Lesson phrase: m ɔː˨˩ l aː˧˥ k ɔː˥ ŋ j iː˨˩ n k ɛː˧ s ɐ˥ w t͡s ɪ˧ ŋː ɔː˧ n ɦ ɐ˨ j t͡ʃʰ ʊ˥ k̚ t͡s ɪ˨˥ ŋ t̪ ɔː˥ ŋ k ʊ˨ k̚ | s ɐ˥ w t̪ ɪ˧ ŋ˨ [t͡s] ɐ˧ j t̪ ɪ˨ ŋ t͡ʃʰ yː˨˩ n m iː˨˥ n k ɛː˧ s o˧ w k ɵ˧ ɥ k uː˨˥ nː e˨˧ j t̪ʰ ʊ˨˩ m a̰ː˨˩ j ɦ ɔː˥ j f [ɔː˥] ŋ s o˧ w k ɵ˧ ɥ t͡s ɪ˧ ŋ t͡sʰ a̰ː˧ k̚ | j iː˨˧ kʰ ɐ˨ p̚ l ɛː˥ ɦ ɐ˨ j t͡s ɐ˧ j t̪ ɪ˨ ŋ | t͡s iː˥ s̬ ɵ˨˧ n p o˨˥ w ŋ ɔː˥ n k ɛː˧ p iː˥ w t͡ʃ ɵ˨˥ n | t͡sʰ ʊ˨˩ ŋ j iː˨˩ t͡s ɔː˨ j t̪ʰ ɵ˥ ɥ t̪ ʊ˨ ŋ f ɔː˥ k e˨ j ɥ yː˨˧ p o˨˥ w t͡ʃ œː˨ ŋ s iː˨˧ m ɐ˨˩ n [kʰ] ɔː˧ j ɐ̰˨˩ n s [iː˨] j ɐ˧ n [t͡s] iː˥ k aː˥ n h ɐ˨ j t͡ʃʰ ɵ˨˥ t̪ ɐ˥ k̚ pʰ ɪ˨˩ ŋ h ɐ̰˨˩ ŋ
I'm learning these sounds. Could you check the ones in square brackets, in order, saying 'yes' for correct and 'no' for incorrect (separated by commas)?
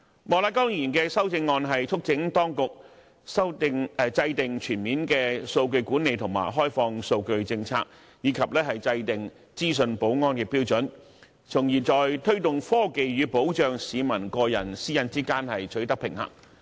yes, no, no, no, yes